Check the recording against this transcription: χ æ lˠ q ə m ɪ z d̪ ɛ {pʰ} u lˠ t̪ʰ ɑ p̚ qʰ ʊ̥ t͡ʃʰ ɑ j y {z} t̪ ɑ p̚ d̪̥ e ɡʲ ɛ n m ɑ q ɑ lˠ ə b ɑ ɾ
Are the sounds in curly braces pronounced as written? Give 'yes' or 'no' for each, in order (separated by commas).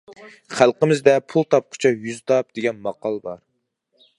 yes, yes